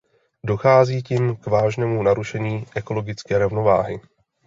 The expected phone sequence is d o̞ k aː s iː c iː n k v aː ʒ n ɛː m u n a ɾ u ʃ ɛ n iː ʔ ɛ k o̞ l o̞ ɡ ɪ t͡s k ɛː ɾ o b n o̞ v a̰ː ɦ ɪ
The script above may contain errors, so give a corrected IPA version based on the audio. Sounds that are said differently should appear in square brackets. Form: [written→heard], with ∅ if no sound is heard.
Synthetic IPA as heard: d o̞ [k→x] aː [s→z] iː c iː [n→m] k v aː ʒ n ɛː m u n a ɾ u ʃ ɛ [n→ɲ] iː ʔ ɛ k o̞ l o̞ ɡ ɪ t͡s k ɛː ɾ o [b→v] n o̞ v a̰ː ɦ ɪ